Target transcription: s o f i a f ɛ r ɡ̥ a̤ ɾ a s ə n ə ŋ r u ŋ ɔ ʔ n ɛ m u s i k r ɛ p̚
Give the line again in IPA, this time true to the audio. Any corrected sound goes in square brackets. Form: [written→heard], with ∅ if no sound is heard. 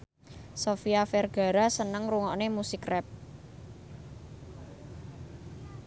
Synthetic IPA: s o f i a f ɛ r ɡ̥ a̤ ɾ a s ə n ə ŋ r u ŋ ɔ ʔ n [ɛ→e] m u s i k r ɛ p̚